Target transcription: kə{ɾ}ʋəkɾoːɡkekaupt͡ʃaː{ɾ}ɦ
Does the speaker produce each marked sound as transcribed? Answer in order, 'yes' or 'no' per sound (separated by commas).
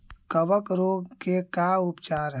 no, yes